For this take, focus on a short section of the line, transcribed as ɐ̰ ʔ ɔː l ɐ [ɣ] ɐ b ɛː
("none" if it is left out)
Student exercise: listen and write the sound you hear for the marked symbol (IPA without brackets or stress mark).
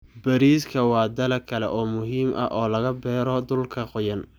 ɣ